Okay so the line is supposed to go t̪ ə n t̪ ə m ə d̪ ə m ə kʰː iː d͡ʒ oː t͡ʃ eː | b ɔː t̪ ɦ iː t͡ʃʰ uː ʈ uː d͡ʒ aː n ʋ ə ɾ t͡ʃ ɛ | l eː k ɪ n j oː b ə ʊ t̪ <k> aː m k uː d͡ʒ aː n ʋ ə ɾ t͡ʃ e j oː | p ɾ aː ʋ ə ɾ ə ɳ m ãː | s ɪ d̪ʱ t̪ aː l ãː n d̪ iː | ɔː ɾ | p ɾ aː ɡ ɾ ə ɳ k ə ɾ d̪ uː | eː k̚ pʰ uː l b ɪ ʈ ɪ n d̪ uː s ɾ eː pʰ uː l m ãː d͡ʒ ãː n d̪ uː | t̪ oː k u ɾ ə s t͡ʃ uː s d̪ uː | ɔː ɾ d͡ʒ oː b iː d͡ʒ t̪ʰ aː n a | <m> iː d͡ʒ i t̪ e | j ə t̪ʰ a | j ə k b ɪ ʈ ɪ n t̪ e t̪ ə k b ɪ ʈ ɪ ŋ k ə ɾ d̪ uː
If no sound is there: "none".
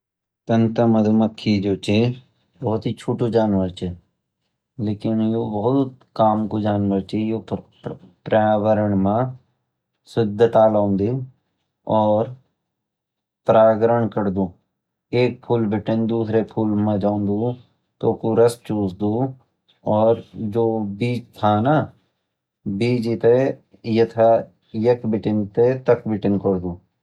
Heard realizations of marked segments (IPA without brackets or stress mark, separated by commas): k, b